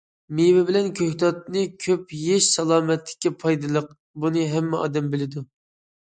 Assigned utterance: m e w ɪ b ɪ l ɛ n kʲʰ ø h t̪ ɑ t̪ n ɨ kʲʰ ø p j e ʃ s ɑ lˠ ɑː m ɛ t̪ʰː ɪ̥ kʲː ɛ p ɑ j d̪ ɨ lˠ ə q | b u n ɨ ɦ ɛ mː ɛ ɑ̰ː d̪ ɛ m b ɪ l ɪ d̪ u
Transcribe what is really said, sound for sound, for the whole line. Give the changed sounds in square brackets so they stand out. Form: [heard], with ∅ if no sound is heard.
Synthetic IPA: m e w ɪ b ɪ l ɛ n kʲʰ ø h t̪ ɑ t̪ n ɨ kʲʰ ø p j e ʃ s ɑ lˠ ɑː m ɛ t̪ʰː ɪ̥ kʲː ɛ [pʰ] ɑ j d̪ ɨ lˠ ə q | b u n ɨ ɦ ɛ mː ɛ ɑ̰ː d̪ ɛ m b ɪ l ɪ d̪ u